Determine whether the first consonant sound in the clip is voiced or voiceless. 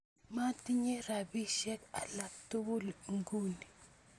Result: voiced